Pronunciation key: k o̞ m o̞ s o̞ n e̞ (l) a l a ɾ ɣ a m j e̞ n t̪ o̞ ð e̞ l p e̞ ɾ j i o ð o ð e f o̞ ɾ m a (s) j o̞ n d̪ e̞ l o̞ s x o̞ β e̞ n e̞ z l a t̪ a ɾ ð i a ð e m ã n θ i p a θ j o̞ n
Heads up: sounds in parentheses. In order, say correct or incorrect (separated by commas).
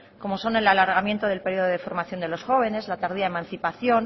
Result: correct, incorrect